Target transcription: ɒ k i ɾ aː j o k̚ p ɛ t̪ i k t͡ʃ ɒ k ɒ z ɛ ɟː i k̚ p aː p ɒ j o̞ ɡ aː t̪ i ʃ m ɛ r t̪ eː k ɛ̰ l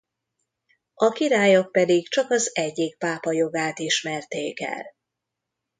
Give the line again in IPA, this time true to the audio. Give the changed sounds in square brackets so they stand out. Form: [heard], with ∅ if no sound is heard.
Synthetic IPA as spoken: ɒ k i ɾ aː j o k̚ p ɛ [d̪] i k t͡ʃ ɒ k ɒ z ɛ ɟː i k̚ p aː p ɒ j o̞ ɡ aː t̪ i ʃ m ɛ r t̪ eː k ɛ̰ l